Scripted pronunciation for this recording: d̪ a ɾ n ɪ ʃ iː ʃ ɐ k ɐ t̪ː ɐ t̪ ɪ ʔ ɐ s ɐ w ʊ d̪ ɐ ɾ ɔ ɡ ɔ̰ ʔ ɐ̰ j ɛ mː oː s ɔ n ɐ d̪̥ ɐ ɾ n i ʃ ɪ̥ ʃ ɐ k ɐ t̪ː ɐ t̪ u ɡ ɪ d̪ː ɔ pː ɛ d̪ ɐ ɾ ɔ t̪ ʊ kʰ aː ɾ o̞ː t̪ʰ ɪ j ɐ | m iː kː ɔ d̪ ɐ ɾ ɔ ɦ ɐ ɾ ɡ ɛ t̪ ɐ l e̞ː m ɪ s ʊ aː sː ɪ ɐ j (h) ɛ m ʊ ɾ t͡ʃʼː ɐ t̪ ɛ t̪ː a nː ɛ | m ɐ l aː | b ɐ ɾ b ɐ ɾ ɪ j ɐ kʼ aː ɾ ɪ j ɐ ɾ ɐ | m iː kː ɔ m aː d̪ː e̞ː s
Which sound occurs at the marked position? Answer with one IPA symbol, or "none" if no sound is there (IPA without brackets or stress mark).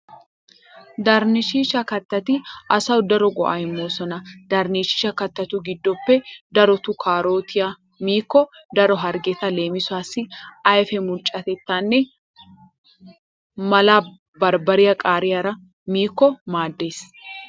f